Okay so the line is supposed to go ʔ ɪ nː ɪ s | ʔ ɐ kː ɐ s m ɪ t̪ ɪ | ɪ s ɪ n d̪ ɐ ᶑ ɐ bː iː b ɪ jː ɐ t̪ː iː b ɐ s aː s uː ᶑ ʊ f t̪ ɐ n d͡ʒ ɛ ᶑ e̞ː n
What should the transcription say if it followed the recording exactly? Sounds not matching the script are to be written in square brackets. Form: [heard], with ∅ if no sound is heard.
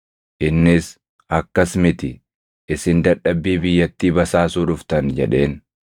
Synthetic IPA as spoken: ʔ ɪ nː ɪ s | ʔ ɐ kː ɐ s m ɪ t̪ ɪ | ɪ s ɪ n d̪ ɐ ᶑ ɐ bː iː b ɪ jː ɐ t̪ː iː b ɐ s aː s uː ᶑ ʊ f t̪ ɐ n d͡ʒ ɛ ᶑ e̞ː n